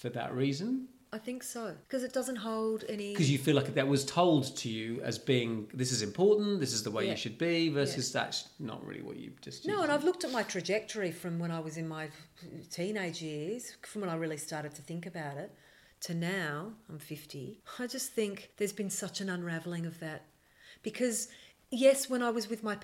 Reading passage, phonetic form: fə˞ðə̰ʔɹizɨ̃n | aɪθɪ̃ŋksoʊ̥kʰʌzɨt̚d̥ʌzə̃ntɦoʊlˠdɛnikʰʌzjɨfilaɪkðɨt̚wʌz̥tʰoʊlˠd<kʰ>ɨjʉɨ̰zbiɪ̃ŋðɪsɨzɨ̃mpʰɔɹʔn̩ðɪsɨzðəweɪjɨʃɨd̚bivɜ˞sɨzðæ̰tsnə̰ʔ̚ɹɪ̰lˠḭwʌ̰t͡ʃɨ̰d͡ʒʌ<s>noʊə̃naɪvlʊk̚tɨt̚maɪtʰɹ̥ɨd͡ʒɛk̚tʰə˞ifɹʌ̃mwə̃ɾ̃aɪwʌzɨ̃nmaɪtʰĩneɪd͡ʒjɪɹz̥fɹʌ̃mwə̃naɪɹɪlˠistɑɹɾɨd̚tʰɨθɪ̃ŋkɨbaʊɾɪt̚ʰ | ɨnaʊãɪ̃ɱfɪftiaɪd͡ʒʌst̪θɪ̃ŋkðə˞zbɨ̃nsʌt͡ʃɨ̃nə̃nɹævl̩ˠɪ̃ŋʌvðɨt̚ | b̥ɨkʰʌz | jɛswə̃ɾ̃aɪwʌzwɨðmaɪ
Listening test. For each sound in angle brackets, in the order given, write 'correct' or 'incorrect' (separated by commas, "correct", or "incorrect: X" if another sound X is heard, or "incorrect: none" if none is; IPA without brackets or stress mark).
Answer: incorrect: tʰ, correct